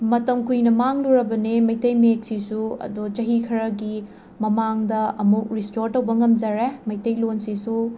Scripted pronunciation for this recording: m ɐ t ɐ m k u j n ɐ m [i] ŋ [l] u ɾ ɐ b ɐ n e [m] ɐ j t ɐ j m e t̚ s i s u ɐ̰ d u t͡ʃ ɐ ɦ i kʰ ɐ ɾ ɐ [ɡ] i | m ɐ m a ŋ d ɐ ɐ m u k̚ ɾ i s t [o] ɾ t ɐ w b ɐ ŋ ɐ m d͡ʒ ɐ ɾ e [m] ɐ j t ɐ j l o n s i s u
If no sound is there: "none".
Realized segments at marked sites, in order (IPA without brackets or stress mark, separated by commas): a, l, m, ɡ, o, m